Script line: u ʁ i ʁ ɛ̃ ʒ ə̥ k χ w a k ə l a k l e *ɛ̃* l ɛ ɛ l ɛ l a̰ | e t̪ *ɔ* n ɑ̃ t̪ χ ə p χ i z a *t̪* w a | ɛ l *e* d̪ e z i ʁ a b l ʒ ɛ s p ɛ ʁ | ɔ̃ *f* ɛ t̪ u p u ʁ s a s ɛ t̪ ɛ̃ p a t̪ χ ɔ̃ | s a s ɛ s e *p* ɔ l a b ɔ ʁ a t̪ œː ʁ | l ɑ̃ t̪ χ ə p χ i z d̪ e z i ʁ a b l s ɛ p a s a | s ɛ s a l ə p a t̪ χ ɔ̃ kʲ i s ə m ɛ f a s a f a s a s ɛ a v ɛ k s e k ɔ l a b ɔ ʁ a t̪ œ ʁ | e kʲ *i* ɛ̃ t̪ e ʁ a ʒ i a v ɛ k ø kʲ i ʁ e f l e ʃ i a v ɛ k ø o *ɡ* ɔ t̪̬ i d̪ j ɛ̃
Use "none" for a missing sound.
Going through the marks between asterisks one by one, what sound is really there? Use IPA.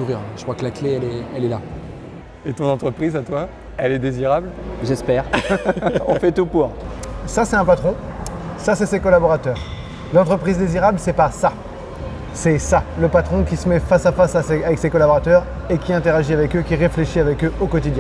ɛ, ɔ̃, t̪, ɛ, f, k, i, k

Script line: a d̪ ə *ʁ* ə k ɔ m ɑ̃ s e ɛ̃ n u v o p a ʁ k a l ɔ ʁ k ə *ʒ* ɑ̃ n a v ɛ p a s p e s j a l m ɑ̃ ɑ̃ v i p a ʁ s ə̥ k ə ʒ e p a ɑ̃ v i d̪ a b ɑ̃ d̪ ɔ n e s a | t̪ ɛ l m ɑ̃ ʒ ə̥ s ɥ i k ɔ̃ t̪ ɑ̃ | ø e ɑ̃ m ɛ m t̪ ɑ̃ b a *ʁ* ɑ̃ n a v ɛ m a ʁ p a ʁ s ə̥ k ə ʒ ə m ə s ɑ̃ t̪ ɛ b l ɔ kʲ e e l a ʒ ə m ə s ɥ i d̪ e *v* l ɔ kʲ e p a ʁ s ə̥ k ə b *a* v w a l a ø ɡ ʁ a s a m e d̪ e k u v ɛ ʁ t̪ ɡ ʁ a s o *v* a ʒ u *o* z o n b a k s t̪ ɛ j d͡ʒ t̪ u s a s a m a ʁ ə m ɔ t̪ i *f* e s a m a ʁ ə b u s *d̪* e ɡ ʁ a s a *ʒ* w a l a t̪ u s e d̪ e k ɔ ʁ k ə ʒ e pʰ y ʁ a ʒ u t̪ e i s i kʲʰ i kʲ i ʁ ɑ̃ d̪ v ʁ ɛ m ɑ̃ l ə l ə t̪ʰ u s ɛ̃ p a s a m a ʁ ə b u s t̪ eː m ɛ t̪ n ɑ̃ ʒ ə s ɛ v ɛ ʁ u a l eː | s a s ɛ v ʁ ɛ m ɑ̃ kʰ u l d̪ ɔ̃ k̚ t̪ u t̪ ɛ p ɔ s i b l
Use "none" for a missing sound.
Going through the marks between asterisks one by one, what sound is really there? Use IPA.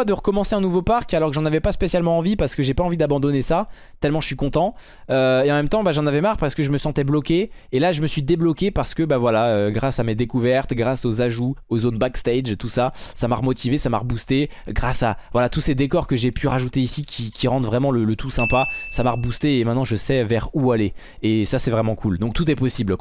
ʁ, ʒ, ʒ, b, a, z, o, v, t̪, v

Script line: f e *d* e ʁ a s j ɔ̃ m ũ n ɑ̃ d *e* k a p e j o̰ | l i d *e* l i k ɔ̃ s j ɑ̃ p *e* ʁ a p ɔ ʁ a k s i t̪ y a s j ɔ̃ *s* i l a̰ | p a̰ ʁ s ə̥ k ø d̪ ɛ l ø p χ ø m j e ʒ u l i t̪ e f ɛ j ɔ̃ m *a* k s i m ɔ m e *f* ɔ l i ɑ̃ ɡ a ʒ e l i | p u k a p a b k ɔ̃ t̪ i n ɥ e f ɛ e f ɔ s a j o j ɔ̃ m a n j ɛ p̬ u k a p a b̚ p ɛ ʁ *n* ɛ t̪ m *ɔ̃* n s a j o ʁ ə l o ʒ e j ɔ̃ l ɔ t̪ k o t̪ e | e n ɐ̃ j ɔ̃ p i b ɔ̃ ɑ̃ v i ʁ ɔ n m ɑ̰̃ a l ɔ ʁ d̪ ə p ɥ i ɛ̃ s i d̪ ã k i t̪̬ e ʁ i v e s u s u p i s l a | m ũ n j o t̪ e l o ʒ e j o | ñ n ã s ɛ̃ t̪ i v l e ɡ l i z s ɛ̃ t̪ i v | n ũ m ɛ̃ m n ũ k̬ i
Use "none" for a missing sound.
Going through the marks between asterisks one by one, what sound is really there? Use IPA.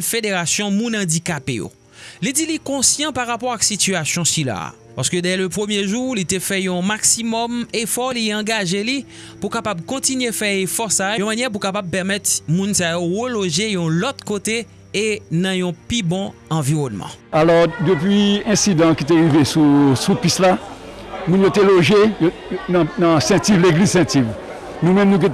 d, i, i, a, s, a, f, m, ũ

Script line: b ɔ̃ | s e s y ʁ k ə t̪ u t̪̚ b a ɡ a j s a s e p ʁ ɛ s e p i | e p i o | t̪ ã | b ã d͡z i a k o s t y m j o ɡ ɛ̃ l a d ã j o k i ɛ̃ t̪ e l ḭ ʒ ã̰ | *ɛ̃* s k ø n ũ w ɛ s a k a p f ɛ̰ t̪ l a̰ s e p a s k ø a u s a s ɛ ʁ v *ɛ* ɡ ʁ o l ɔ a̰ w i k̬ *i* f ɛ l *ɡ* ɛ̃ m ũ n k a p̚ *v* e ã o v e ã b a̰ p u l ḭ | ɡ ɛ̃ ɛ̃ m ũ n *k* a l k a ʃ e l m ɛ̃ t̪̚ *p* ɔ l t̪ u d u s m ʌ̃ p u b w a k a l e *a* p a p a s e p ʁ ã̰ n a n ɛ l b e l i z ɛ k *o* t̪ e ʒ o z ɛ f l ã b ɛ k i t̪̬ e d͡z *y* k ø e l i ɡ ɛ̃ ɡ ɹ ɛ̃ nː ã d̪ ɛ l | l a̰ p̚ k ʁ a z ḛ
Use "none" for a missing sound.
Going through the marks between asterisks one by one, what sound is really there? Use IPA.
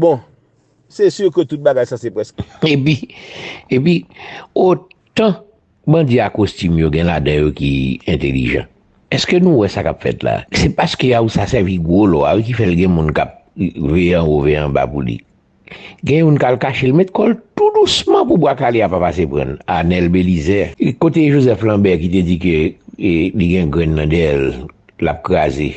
ɛ, i, i, ɡ, v, k, k, a, o, i

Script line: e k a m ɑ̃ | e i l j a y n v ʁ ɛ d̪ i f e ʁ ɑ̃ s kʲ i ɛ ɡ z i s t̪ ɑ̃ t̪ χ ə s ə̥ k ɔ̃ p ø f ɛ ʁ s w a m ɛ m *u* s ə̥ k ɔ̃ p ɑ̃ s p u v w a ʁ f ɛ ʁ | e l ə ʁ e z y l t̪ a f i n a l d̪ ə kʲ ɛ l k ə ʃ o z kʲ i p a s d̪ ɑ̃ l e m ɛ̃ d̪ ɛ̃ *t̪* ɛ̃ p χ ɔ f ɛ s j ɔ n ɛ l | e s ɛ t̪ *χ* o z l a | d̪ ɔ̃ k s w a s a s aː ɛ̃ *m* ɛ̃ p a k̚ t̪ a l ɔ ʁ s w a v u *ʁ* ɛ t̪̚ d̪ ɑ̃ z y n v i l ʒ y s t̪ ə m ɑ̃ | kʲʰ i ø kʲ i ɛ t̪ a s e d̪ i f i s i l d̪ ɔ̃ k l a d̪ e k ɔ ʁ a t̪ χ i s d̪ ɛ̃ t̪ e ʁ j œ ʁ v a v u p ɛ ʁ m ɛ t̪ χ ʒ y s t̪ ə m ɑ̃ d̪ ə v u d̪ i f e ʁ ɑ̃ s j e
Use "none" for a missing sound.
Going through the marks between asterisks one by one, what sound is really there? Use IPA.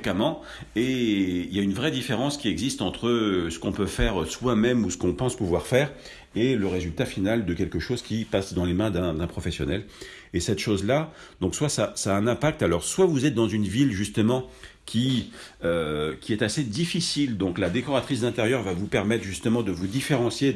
u, d̪, ʃ, n, z

